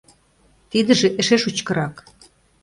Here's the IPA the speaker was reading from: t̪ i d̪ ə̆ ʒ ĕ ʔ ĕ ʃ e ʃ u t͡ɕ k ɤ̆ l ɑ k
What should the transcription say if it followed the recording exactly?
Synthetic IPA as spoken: t̪ i d̪ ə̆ ʒ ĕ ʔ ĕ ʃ e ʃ u t͡ɕ k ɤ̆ ɾ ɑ k